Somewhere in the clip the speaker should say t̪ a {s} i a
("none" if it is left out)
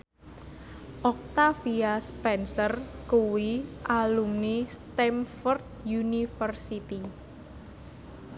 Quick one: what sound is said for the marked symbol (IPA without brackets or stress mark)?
f